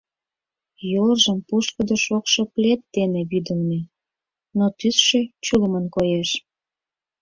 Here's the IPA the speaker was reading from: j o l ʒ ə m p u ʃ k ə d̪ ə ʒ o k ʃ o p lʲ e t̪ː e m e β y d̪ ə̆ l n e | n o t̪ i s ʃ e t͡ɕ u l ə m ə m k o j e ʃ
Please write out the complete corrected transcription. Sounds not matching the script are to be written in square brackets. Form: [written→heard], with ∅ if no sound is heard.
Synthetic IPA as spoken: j o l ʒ ə m p u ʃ k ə d̪ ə [ʒ→ʃ] o k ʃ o p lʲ e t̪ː e [m→n] e β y d̪ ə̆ l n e | n o t̪ [i→y] s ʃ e t͡ɕ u l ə m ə [m→n] k o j e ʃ